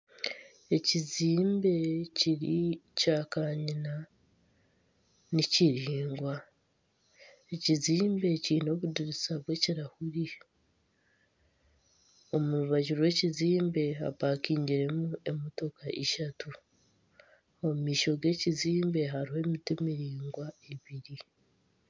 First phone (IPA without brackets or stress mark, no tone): e̞